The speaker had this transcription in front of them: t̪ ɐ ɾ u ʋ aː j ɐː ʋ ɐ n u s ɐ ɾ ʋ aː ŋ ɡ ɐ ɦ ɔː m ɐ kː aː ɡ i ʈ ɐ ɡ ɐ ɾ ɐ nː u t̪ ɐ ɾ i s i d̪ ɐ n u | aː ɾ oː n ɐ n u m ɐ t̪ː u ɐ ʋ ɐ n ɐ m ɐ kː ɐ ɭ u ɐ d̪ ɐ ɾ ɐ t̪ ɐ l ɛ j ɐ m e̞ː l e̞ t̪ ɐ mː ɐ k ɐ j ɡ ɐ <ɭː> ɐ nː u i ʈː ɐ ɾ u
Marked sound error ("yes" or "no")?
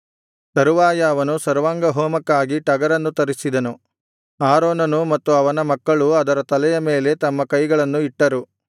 yes